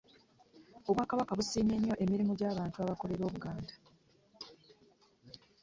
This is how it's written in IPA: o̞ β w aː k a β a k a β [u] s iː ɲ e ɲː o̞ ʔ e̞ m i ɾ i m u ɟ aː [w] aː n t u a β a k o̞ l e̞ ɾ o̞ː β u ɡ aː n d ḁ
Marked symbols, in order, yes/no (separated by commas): yes, no